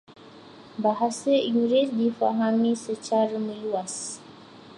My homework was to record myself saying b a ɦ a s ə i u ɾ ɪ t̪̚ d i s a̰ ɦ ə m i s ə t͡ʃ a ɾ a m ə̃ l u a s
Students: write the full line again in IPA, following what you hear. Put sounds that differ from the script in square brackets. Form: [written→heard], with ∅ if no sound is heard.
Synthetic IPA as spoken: b a ɦ a s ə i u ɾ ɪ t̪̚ d i [s→f] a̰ ɦ [ə→a] m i s ə t͡ʃ a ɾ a m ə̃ l u a s